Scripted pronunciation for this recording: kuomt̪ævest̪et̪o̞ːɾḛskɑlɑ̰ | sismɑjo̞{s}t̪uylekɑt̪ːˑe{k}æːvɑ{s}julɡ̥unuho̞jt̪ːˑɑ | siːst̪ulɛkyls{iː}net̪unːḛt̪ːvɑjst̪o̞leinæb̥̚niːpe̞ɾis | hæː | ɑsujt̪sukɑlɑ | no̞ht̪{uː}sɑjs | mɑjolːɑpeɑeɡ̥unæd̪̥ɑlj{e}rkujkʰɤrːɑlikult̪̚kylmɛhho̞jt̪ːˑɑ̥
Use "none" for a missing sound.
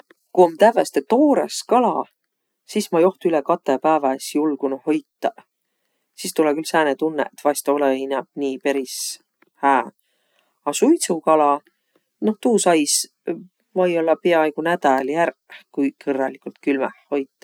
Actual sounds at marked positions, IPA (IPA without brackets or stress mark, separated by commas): h, p, s, æː, uː, æ